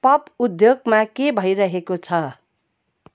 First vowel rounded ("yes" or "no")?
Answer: no